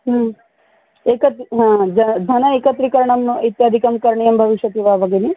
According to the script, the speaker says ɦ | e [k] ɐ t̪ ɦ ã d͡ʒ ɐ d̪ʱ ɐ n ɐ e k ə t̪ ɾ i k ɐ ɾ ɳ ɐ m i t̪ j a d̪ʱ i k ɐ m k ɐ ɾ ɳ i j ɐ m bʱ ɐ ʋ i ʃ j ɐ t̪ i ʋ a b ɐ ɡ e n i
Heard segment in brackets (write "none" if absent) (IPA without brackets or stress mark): k